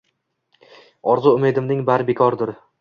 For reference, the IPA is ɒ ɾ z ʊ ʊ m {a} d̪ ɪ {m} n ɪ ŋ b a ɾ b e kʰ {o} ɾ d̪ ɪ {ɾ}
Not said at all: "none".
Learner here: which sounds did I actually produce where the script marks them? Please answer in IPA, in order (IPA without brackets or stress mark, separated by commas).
e, m, ɒ, ɾ